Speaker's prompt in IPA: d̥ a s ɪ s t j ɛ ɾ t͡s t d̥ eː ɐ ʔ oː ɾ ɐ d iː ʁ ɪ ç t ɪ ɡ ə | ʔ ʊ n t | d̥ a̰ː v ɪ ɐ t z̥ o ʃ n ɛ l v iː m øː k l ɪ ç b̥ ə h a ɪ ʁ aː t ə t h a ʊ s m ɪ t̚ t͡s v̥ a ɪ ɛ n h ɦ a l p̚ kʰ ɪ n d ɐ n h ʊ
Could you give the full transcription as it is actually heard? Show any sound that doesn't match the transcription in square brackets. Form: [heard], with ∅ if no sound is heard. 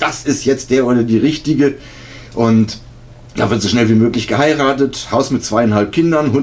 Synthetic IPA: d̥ a s ɪ s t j ɛ [∅] t͡s t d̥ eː ɐ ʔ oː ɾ ɐ d iː ʁ ɪ ç t ɪ ɡ ə | ʔ ʊ n t | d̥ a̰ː v ɪ ɐ t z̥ o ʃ n ɛ l v iː m øː k l ɪ ç [ɡ̥] ə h a ɪ ʁ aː t ə t h a ʊ s m ɪ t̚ t͡s v̥ a ɪ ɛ n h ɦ a l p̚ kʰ ɪ n d ɐ n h ʊ